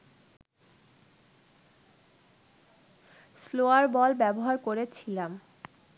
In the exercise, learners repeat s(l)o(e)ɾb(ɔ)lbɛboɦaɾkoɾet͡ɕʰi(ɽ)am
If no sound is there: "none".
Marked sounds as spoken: l, a, ɔ, l

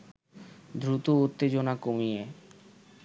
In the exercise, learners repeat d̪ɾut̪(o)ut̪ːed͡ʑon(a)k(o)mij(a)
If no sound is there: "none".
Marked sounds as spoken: o, a, o, e

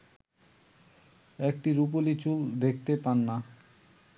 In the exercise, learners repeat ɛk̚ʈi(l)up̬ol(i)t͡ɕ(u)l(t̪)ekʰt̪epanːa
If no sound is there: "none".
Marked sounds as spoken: ɾ, i, u, d̪

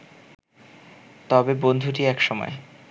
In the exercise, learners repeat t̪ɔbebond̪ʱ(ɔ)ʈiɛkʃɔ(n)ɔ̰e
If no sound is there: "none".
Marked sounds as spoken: u, m

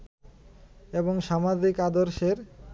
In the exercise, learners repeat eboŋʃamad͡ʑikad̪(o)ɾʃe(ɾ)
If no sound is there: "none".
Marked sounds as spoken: o, ɾ

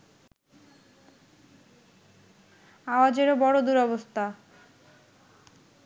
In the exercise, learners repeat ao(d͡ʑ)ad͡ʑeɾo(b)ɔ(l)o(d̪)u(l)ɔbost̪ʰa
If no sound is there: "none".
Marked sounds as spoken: none, b, ɽ, d̪, ɾ

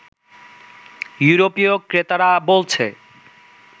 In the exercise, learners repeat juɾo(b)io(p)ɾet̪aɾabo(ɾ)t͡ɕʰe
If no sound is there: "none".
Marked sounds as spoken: p, k, l

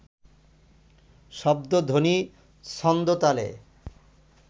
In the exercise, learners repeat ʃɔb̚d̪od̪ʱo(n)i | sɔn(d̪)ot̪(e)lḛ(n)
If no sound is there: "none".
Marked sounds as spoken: n, d̪, a, none

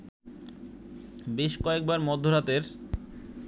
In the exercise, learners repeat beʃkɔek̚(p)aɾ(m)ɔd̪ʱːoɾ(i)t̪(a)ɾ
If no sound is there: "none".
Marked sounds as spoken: b, m, a, e

